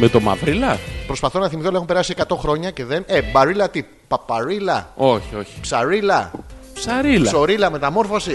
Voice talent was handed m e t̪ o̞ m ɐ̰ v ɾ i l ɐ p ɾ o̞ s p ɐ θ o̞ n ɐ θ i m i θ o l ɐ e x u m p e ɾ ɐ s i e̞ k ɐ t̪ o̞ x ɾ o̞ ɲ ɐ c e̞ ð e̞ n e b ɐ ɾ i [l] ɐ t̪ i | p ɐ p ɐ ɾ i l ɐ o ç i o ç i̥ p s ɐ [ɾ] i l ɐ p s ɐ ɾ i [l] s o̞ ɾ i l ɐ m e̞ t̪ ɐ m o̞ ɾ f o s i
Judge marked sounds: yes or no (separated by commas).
yes, yes, yes